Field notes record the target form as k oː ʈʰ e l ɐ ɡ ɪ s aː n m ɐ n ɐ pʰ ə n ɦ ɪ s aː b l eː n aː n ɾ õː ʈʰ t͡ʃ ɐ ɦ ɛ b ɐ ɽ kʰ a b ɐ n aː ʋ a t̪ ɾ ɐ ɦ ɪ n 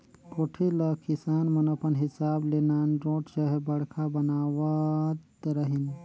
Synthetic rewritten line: k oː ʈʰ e l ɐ k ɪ s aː n m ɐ n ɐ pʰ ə n ɦ ɪ s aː b l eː n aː n ɾ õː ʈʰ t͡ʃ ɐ ɦ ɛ b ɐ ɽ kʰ a b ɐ n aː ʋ a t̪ ɾ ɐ ɦ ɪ n